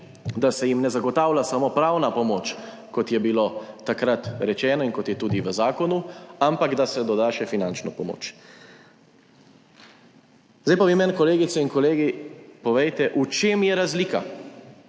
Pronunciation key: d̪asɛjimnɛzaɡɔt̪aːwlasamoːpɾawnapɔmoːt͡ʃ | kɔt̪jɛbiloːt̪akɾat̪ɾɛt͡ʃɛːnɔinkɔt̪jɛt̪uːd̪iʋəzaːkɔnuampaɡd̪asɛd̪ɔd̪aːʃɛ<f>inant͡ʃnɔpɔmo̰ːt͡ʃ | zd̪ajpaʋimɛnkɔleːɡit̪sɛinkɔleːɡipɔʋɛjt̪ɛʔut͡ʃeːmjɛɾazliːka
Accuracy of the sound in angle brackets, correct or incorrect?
correct